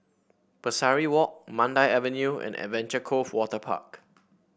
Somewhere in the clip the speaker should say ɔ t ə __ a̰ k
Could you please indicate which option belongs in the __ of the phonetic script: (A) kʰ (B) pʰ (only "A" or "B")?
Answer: B